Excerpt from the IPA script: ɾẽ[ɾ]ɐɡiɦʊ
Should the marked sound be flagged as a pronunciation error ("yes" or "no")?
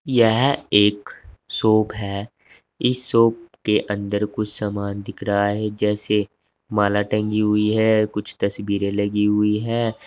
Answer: yes